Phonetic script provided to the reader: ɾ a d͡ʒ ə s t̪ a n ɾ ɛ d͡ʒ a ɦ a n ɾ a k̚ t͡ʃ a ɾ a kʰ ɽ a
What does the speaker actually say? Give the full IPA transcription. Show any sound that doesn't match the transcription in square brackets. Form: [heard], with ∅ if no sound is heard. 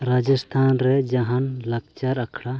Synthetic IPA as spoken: ɾ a d͡ʒ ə s [t̪ʰ] a n ɾ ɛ d͡ʒ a ɦ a n [l] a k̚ t͡ʃ a ɾ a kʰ ɽ a

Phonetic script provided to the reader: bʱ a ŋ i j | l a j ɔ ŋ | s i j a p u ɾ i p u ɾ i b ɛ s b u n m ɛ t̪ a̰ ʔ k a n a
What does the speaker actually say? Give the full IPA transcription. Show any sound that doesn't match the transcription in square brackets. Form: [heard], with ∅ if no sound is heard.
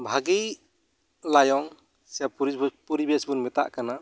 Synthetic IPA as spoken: bʱ a [ɡ] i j | l a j ɔ ŋ | s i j a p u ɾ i p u ɾ i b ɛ s b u n m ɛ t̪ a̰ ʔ k a n a

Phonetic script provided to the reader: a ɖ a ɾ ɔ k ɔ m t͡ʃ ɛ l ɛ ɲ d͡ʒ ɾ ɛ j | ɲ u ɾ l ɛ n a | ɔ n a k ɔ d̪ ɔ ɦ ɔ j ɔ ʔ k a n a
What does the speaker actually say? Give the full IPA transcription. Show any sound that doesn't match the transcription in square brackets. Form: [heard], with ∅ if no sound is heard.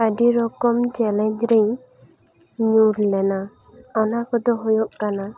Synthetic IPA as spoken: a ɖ [i] ɾ ɔ k ɔ m t͡ʃ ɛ l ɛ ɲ d͡ʒ ɾ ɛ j | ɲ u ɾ l ɛ n a | ɔ n a k ɔ d̪ ɔ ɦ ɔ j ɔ ʔ k a n a

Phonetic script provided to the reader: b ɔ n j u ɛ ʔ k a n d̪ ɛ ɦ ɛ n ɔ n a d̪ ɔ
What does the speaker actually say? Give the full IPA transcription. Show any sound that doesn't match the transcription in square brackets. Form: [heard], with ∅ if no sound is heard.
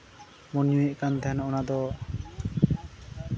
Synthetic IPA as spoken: [m] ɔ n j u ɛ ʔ k a n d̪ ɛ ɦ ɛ n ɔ n a d̪ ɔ

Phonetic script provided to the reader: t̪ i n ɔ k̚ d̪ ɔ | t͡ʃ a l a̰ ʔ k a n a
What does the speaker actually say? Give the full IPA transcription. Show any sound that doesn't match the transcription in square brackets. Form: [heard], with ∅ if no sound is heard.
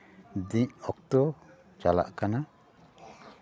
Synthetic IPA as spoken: [d̪] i [ɲ] ɔ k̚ [t̪] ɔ | t͡ʃ a l a̰ ʔ k a n a

